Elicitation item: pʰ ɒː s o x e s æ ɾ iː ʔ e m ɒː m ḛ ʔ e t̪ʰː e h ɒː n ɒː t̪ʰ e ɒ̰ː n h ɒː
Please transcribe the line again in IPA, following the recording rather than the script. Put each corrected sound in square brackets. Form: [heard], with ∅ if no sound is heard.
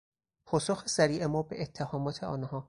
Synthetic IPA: pʰ ɒː s o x e s æ ɾ iː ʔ e m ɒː [b] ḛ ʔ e t̪ʰː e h ɒː [m] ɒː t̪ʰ e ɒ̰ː n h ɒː